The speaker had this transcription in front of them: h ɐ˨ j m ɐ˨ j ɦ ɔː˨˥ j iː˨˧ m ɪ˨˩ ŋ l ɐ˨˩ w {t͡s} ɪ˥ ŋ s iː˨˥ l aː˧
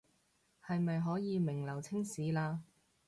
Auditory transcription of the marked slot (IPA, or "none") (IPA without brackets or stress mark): t͡sʰ